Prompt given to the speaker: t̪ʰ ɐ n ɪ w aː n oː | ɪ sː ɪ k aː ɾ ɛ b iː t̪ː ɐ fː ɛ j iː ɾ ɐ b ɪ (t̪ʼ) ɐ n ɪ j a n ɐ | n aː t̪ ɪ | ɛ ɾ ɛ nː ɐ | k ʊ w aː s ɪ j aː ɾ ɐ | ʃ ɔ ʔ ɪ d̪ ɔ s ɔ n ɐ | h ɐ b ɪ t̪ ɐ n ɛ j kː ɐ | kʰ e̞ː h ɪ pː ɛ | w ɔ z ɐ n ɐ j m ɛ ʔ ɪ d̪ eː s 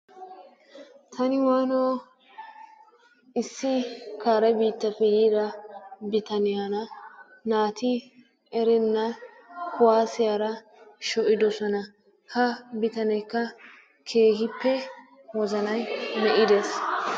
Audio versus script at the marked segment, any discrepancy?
yes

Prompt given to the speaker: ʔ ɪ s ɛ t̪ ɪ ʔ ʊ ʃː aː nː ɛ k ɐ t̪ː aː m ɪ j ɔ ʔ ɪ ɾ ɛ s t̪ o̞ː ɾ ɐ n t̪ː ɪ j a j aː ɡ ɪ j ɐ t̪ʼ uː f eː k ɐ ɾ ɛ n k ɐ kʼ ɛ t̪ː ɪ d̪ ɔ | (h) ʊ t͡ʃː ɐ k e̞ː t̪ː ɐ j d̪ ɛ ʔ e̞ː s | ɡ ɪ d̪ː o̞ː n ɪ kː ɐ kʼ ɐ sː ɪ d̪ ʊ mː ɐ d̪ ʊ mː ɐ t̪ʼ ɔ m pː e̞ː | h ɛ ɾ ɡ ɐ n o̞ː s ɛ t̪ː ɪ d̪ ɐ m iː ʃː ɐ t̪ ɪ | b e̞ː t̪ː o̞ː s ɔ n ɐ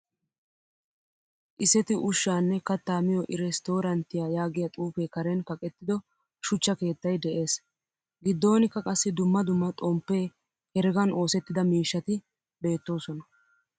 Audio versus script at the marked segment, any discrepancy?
yes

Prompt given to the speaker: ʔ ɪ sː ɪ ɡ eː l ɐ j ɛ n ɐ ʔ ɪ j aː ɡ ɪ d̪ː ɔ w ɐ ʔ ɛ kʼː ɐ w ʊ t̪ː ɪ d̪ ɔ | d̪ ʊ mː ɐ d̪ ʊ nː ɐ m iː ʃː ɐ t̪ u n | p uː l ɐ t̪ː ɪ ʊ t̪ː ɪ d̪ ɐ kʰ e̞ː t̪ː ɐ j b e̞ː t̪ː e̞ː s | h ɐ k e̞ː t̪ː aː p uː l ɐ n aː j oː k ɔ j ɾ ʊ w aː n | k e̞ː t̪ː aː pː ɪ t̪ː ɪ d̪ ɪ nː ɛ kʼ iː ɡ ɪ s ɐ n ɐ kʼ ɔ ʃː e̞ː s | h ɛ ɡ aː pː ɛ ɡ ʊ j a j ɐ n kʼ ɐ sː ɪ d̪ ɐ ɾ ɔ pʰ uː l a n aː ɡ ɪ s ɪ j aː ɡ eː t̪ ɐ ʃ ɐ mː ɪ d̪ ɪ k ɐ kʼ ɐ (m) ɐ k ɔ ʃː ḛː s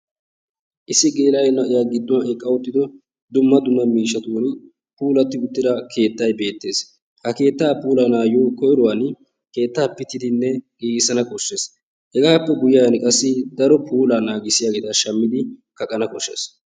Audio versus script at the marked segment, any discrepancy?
yes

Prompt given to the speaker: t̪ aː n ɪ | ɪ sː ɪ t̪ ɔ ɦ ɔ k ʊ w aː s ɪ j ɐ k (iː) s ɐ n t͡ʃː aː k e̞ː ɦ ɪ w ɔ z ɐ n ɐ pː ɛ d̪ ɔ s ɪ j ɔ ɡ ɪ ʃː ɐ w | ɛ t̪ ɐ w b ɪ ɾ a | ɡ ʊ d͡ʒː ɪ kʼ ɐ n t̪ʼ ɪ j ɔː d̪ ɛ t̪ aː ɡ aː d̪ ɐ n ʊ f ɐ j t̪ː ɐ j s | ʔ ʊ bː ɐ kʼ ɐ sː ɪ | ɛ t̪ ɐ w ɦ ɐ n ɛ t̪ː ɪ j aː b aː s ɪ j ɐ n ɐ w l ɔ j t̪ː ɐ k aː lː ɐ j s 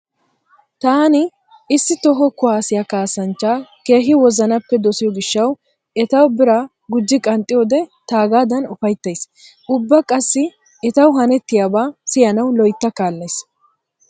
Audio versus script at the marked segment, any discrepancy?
yes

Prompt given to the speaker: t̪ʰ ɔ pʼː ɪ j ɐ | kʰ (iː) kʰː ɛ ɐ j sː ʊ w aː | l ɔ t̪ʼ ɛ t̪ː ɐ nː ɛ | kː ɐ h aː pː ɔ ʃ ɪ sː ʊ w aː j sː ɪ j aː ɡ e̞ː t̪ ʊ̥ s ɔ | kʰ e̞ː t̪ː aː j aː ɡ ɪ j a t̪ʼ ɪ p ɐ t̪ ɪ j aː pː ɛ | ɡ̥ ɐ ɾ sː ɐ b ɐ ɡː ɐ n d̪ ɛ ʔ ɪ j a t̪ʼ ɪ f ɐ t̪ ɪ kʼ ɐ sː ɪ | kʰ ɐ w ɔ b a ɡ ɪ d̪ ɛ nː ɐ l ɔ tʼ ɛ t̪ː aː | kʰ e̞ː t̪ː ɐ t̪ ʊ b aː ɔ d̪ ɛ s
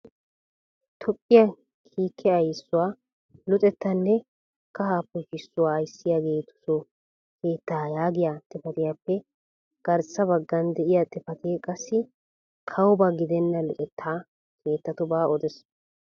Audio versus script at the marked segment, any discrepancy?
no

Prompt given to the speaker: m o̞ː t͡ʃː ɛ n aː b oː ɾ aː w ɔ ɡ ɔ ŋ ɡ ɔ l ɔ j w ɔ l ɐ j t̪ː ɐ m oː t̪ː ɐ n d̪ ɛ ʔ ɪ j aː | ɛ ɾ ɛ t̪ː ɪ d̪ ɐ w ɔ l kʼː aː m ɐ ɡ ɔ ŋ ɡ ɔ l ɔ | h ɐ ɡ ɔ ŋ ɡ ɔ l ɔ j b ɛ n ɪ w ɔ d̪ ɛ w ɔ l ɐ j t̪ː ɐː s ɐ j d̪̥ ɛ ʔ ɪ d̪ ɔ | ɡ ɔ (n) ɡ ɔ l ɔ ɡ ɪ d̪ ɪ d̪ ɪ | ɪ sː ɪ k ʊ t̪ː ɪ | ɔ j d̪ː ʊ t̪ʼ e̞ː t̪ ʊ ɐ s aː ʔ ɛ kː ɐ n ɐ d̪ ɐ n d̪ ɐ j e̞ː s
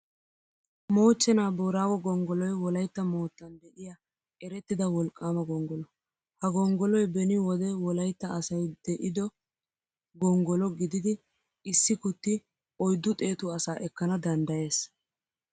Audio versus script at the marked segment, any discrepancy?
yes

